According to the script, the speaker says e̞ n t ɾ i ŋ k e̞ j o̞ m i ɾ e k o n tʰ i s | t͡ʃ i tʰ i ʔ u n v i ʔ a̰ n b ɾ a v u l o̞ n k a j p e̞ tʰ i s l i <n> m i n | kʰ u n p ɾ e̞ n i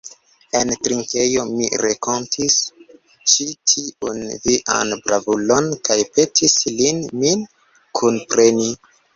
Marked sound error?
no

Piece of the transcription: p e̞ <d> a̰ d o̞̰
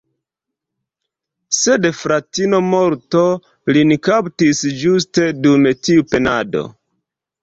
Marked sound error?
yes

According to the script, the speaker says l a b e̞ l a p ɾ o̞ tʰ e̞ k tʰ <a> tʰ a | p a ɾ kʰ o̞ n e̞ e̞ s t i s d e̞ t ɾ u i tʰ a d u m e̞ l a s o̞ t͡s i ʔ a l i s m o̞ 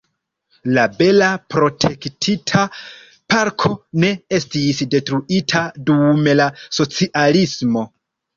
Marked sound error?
yes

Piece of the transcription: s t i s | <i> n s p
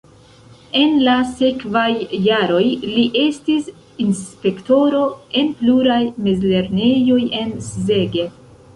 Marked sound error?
no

